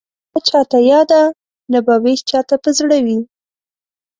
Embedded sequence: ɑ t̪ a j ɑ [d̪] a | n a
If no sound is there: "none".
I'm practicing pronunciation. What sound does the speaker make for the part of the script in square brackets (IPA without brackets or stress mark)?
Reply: d̪